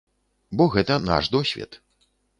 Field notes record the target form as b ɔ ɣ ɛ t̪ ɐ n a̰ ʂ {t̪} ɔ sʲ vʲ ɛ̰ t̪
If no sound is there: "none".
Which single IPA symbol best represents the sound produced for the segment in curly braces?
d̪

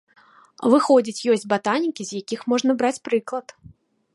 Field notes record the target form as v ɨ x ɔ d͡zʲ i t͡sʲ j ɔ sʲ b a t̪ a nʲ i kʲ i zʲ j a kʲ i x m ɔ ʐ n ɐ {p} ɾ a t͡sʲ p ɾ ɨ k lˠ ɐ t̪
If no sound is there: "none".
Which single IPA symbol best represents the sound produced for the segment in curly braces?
b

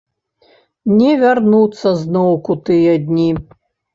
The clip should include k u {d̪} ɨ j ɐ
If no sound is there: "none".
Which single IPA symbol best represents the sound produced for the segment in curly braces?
t̪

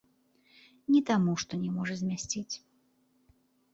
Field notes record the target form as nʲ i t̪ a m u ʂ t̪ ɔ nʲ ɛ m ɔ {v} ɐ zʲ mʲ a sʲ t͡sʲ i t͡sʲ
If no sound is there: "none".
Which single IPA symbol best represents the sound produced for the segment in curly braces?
ʐ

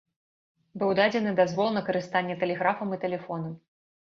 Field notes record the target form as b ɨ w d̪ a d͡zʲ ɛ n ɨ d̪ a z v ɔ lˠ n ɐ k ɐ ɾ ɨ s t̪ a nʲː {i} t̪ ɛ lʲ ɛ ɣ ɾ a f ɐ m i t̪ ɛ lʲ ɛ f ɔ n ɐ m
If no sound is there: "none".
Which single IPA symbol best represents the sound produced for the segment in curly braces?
ɛ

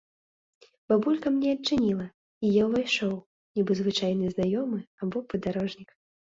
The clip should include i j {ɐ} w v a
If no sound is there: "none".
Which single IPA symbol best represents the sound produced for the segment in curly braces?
a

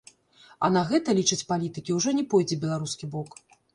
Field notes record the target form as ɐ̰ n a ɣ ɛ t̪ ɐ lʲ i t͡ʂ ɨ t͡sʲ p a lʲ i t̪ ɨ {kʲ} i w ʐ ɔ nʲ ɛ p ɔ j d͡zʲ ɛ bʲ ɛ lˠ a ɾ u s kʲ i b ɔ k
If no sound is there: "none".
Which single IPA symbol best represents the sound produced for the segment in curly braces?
kʲ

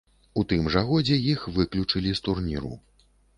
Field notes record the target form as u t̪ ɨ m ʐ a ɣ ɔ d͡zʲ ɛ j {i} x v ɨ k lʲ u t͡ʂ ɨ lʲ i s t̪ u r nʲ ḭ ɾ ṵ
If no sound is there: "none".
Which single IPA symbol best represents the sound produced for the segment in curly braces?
i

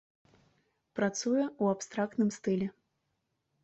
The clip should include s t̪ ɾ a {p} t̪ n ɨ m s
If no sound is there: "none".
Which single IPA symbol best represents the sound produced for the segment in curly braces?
k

